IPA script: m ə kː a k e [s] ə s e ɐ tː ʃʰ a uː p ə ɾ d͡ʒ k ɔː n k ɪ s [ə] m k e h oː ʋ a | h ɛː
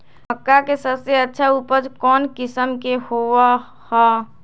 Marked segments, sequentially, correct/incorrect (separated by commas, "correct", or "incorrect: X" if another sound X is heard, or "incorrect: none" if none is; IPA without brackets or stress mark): correct, correct